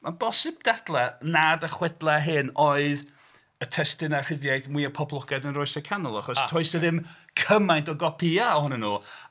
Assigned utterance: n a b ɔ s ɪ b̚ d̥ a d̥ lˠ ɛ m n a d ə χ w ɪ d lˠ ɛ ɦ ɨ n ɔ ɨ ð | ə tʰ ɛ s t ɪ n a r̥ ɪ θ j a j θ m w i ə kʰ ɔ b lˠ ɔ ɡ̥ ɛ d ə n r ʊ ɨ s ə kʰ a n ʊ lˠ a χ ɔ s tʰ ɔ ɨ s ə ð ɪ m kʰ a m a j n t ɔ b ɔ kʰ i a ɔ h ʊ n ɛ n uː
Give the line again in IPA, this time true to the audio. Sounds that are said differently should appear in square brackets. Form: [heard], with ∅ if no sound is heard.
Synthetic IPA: [m] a b ɔ s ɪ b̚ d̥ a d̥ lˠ ɛ [∅] n a d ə χ w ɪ d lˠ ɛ ɦ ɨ n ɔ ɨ ð | ə tʰ ɛ s t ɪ n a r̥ ɪ [ð] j a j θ m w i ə [pʰ] ɔ b lˠ ɔ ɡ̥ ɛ d ə n r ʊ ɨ s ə kʰ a n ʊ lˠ a χ ɔ s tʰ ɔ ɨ s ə ð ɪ m kʰ [ə] m a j n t ɔ [ɡ] ɔ [pʰ] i a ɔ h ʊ n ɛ n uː